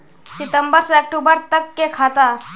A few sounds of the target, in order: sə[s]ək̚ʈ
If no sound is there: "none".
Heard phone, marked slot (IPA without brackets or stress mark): none